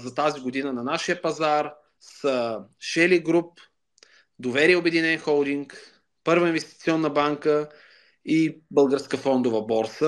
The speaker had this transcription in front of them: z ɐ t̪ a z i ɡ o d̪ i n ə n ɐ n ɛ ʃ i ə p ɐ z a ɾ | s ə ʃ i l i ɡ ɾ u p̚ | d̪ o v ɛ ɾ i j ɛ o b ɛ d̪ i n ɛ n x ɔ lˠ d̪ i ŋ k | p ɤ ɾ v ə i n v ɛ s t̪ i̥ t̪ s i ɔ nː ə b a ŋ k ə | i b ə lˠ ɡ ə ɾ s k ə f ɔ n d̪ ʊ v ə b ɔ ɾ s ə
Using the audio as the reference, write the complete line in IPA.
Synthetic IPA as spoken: z ɐ t̪ a z i ɡ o d̪ i n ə n ɐ n a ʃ i ə p ɐ z a ɾ | s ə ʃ ɛ l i ɡ ɾ u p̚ | d̪ o v ɛ ɾ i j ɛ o b ɛ d̪ i n ɛ n x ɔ lˠ d̪ i ŋ k | p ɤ ɾ v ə i n v ɛ s t̪ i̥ t̪ s i ɔ nː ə b a ŋ k ə | i b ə lˠ ɡ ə ɾ s k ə f ɔ n d̪ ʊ v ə b ɔ ɾ s ə